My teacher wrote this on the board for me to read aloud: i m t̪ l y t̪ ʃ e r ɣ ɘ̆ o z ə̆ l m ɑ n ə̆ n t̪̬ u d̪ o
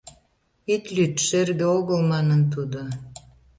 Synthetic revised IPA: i t̪ l y t̪ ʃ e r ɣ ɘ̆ o ɣ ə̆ l m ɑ n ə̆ n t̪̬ u d̪ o